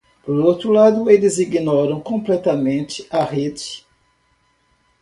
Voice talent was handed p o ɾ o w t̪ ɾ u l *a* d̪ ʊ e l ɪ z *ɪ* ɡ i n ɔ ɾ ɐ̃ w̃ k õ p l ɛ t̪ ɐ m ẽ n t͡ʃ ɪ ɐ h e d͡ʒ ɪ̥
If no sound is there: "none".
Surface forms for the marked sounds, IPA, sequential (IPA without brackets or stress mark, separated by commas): a, i